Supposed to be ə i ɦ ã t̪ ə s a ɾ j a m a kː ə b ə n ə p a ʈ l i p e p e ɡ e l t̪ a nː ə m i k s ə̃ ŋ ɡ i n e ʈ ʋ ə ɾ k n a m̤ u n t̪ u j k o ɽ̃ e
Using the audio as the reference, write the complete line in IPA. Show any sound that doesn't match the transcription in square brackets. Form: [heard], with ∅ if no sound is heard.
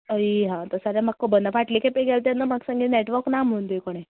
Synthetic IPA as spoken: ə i ɦ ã t̪ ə s a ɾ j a m a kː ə b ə n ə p a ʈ l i [k] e p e ɡ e l t̪ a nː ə m [a] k s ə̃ ŋ ɡ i n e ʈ ʋ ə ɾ k n a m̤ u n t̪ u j k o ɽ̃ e